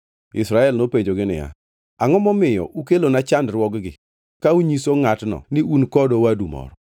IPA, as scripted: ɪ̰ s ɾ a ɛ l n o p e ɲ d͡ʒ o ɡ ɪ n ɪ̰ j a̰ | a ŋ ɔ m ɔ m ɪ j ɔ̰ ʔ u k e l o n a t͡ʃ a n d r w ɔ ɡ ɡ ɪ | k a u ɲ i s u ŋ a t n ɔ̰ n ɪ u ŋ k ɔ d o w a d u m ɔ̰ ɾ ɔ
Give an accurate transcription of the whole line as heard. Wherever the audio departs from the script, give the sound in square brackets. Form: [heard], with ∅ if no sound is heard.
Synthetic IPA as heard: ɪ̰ s ɾ a ɛ l n o p e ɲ d͡ʒ o ɡ ɪ n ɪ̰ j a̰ | a ŋ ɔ m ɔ m ɪ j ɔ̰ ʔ u k e l o n a t͡ʃ a n d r w ɔ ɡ ɡ ɪ | k a u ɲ i s [o] ŋ a t n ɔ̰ n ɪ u [n] k ɔ d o w a d u m ɔ̰ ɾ ɔ

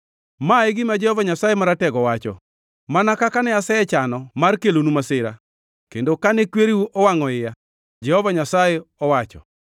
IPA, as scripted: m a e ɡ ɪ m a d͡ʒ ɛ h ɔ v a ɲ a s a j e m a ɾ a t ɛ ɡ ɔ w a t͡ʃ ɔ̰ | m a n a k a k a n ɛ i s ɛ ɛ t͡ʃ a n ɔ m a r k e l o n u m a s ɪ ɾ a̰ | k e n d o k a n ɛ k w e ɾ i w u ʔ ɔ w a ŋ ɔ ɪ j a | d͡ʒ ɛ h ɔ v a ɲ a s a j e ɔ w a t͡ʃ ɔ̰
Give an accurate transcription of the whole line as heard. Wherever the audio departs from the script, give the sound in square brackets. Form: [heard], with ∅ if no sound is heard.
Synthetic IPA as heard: m a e ɡ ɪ m a d͡ʒ ɛ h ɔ v a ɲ a s a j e m a ɾ a t ɛ ɡ ɔ w a t͡ʃ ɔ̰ | m a n a k a k a n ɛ [a] s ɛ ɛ t͡ʃ a n ɔ m a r k e l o n u m a s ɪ ɾ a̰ | k e n d o k a n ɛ k w e ɾ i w u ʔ ɔ w a ŋ ɔ ɪ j a | d͡ʒ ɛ h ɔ v a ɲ a s a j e ɔ w a t͡ʃ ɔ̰

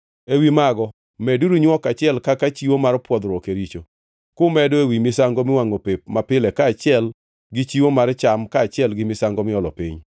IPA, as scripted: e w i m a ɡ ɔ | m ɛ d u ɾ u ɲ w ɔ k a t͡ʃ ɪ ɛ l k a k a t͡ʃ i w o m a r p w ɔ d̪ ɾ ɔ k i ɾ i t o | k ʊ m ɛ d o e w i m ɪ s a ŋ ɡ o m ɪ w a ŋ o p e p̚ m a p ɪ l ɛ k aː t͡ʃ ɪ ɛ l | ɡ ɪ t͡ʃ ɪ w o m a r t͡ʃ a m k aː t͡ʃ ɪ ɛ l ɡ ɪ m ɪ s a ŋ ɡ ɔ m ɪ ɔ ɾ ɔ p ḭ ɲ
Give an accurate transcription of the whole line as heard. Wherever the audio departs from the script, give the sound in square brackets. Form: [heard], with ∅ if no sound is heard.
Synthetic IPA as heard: e w i m a ɡ ɔ | m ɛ d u ɾ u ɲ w ɔ k a t͡ʃ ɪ ɛ l k a k a t͡ʃ i w o m a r p w ɔ d̪ ɾ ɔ k [e] ɾ i [t͡ʃ] o | k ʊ m ɛ d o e w i m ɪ s a ŋ ɡ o m ɪ w a ŋ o p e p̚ m a p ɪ l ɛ k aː t͡ʃ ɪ ɛ l | ɡ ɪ t͡ʃ [i] w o m a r t͡ʃ a m k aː t͡ʃ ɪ ɛ l ɡ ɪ m ɪ s a ŋ ɡ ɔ m ɪ ɔ [l] ɔ p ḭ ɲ

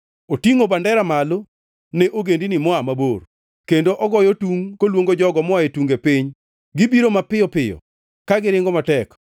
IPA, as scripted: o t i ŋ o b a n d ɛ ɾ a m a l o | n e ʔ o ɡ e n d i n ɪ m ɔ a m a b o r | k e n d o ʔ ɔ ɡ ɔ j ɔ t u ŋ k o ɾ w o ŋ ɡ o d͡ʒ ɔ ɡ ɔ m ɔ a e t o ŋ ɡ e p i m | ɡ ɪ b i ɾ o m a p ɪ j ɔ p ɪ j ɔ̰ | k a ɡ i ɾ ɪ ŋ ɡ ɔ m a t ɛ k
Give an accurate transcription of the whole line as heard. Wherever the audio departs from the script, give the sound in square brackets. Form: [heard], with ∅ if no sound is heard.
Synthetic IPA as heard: o t i ŋ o b a n d ɛ ɾ a m a l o | n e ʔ o ɡ e n d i n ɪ m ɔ a m a b o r | k e n d o ʔ ɔ ɡ ɔ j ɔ t u ŋ k o [l] w o ŋ ɡ o d͡ʒ ɔ ɡ ɔ m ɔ a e t [u] ŋ ɡ e p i [ɲ] | ɡ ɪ b i ɾ o m a p ɪ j ɔ p ɪ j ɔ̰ | k a ɡ [ɪ] ɾ ɪ ŋ ɡ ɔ m a t ɛ k

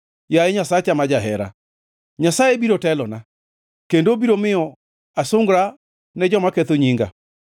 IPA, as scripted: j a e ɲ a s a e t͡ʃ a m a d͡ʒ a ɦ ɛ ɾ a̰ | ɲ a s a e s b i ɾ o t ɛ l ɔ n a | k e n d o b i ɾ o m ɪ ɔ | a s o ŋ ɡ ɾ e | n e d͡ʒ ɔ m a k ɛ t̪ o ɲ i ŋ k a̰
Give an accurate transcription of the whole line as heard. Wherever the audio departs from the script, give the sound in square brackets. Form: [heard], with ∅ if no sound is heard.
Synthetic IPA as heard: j a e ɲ a s a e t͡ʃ a m a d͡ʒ a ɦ ɛ ɾ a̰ | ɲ a s a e [∅] b i ɾ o t ɛ l ɔ n a | k e n d o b i ɾ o m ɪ ɔ | a s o ŋ ɡ ɾ [a] | n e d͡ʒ ɔ m a k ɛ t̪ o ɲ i ŋ [ɡ] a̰

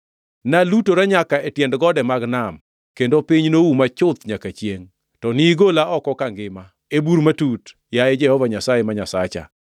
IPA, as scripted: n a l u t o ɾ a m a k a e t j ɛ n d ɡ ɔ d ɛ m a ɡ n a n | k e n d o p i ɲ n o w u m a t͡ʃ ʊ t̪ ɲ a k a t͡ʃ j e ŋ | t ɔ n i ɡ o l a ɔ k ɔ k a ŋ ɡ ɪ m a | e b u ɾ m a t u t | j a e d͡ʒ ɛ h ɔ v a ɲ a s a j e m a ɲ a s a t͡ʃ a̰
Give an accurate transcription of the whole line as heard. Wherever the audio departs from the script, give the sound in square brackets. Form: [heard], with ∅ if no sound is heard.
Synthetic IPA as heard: n a l u t o ɾ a [ɲ] a k a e t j ɛ n d ɡ ɔ d ɛ m a ɡ n a [m] | k e n d o p i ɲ n o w u m a t͡ʃ ʊ t̪ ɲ a k a t͡ʃ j e ŋ | t ɔ n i ɡ o l a ɔ k ɔ k a ŋ ɡ ɪ m a | e b u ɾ m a t u t | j a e d͡ʒ ɛ h ɔ v a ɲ a s a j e m a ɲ a s a t͡ʃ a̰

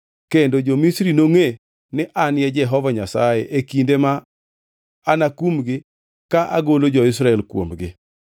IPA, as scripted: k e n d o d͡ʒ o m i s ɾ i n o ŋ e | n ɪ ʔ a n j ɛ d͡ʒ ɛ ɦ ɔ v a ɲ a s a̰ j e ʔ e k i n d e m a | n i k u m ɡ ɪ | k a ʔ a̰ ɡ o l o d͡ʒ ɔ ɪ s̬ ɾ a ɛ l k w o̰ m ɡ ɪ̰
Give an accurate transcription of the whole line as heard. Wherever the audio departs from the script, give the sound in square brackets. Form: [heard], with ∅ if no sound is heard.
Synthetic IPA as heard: k e n d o d͡ʒ o m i s ɾ i n o ŋ e | n ɪ ʔ a n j ɛ d͡ʒ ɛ ɦ ɔ v a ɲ a s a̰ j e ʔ e k i n d e m a | n [a] k u m ɡ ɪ | k a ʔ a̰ ɡ o l o d͡ʒ ɔ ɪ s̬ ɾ a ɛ l k w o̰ m ɡ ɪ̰

